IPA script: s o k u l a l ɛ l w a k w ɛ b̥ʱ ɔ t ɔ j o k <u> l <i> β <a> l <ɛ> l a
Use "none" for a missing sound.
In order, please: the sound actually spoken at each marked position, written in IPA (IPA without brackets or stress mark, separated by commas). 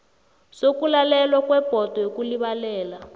u, i, a, ɛː